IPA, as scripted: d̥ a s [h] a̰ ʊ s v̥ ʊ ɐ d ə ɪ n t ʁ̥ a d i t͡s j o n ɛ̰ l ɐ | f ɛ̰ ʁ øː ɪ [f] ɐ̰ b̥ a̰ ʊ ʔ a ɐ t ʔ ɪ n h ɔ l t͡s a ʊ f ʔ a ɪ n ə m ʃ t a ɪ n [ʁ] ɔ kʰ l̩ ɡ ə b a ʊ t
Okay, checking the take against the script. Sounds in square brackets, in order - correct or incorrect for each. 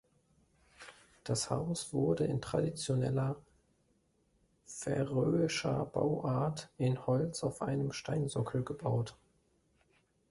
correct, incorrect: ʃ, incorrect: z

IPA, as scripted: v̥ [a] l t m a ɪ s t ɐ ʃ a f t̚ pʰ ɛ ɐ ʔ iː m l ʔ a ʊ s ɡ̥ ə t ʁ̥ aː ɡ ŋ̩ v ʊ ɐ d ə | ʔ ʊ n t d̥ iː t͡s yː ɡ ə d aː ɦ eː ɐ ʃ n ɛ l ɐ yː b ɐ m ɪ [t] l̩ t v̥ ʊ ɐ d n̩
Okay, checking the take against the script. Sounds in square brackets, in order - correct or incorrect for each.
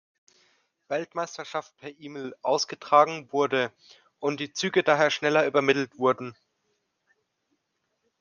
incorrect: ɛ, correct

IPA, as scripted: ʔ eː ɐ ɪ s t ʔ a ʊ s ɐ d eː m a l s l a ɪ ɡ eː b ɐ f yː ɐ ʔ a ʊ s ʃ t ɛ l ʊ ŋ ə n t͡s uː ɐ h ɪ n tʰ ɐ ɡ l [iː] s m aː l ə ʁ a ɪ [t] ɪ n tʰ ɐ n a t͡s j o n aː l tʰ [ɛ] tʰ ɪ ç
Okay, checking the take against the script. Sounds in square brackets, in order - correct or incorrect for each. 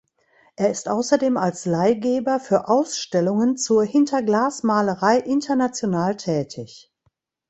incorrect: aː, incorrect: ʔ, incorrect: ɛː

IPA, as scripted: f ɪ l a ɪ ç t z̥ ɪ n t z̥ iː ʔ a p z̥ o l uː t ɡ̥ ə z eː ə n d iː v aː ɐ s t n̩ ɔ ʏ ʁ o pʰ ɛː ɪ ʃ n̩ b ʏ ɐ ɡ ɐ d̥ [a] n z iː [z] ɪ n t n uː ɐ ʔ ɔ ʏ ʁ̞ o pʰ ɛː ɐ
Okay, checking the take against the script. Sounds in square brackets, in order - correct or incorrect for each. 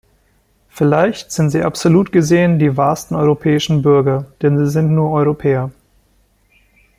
incorrect: ɛ, correct

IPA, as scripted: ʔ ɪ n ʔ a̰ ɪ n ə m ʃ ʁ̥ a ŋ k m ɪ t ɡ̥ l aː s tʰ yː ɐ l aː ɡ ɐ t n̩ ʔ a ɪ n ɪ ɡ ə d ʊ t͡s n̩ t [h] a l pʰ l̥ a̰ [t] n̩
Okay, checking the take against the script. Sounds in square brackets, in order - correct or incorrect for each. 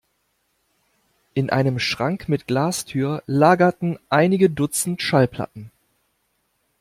incorrect: ʃ, correct

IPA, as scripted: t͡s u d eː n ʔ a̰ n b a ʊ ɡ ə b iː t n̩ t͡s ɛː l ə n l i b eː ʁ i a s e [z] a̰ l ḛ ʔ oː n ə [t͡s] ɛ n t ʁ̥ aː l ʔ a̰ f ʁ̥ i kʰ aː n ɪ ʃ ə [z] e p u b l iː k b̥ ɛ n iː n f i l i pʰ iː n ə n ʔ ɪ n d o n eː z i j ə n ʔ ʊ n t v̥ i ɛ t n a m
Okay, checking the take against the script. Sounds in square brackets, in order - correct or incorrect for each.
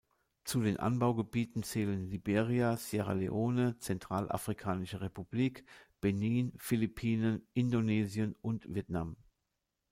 incorrect: ʁ, correct, incorrect: ʁ

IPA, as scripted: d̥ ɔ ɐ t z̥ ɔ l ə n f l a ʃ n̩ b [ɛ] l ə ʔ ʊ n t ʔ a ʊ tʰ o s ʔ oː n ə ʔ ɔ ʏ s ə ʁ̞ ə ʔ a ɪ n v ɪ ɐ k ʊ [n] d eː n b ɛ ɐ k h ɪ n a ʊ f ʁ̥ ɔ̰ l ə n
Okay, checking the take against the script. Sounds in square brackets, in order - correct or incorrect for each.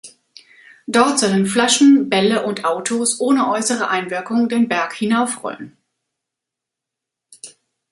correct, incorrect: ŋ

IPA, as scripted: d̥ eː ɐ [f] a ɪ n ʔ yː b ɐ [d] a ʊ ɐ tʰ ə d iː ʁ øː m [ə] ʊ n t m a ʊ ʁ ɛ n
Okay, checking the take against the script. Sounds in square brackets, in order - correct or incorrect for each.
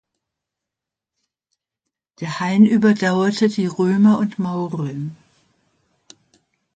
incorrect: h, correct, incorrect: ɐ

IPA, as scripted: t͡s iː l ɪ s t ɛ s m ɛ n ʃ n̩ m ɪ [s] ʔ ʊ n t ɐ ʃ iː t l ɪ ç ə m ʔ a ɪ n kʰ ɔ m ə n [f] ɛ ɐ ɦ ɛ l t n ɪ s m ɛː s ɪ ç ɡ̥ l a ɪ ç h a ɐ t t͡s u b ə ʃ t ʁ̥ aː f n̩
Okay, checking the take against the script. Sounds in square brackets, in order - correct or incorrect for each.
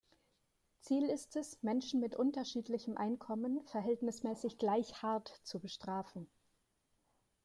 incorrect: t, correct

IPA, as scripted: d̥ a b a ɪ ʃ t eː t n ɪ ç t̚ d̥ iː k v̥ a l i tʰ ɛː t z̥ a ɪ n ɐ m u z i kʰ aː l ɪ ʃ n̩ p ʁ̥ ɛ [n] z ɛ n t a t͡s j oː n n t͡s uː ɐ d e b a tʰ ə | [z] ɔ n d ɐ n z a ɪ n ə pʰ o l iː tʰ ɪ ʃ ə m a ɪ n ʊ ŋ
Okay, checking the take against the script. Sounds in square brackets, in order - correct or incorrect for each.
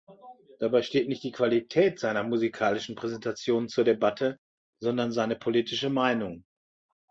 incorrect: none, correct

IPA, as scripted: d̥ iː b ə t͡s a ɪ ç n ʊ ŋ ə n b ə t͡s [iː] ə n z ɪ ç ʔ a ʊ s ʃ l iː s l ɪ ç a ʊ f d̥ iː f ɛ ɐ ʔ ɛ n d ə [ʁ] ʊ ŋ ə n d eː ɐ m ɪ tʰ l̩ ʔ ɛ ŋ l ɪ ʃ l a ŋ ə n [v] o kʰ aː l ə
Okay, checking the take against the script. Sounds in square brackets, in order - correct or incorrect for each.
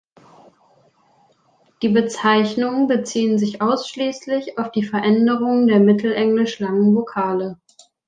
correct, correct, correct

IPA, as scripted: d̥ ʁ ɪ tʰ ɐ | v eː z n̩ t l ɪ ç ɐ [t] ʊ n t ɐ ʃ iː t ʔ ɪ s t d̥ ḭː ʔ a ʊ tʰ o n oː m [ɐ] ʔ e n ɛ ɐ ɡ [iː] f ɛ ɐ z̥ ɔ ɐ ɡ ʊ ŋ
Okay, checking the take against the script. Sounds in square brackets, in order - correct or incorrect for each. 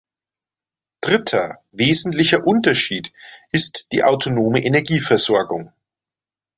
incorrect: ʔ, incorrect: ə, correct

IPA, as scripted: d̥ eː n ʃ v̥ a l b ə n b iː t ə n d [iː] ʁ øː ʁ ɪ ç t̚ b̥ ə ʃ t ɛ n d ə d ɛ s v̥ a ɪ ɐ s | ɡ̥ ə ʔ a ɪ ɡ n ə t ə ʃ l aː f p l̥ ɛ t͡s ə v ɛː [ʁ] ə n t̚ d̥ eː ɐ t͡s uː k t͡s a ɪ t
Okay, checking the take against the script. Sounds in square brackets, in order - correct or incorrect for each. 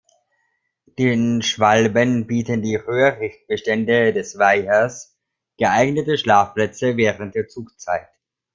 correct, correct

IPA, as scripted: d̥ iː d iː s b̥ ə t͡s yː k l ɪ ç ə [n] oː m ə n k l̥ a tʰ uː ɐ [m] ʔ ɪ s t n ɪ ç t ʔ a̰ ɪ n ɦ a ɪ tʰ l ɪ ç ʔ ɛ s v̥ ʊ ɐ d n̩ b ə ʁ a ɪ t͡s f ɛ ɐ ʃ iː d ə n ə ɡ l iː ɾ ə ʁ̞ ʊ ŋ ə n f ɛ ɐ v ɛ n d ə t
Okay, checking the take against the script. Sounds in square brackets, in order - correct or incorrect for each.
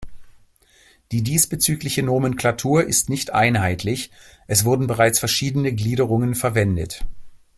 correct, incorrect: none

